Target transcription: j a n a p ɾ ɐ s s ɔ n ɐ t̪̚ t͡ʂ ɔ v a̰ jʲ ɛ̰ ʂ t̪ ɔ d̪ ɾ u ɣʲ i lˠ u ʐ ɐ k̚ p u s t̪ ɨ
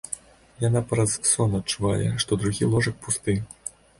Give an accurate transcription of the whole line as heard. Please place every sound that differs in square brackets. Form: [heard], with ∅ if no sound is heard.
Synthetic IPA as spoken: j a n a p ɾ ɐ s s ɔ n ɐ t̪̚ t͡ʂ [u] v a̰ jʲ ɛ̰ ʂ t̪ ɔ d̪ ɾ u ɣʲ i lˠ [ɔ] ʐ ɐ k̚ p u s t̪ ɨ